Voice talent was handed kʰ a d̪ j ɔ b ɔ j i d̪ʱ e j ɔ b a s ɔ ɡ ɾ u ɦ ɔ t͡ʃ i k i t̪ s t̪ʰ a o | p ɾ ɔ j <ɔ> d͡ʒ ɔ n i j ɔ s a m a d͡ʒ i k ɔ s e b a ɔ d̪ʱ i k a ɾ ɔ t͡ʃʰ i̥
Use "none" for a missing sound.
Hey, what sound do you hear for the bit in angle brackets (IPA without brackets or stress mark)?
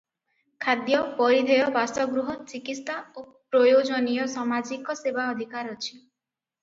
o